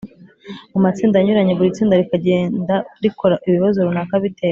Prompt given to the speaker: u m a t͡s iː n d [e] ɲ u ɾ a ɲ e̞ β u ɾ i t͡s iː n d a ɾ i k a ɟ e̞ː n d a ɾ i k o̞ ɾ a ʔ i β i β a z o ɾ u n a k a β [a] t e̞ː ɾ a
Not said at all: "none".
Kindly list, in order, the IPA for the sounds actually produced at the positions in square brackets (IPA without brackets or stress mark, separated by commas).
a, i